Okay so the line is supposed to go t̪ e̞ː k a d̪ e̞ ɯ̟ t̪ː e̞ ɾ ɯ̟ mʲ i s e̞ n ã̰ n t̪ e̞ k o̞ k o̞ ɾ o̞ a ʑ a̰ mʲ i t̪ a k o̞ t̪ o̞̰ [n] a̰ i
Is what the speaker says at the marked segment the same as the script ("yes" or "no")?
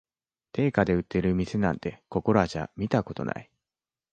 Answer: yes